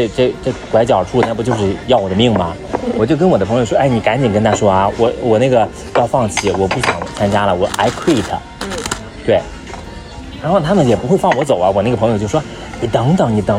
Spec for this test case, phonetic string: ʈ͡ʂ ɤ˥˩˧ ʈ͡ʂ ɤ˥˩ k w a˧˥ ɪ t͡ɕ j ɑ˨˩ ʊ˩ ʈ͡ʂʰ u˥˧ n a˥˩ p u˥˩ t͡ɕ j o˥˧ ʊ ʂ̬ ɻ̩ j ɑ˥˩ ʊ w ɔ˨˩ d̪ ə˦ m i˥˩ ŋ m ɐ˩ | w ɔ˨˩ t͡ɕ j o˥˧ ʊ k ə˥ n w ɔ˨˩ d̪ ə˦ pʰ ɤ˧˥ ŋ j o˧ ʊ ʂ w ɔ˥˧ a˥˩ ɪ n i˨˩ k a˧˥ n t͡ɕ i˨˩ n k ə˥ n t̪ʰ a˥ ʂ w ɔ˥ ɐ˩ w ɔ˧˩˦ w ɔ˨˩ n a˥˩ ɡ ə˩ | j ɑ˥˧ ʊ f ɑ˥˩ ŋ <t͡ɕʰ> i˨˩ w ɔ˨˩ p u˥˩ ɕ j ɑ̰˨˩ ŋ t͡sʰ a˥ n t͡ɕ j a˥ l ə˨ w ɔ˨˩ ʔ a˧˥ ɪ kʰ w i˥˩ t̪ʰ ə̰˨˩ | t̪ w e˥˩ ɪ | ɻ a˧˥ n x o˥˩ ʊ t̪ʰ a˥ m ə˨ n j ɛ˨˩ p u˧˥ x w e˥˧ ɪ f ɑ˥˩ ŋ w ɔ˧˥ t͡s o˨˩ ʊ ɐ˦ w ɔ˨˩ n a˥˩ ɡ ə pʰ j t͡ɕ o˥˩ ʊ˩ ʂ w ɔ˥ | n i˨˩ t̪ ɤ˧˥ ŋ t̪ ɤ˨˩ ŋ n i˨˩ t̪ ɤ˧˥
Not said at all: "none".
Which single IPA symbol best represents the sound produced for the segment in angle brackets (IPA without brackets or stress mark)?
t͡ɕʰ